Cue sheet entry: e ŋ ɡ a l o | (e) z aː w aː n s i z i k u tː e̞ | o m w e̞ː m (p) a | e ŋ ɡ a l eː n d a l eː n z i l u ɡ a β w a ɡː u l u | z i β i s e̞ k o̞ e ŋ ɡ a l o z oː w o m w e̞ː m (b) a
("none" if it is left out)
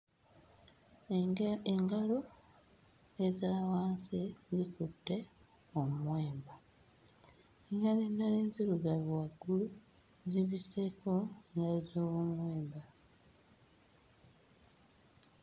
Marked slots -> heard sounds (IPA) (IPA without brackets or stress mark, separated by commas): e, b, b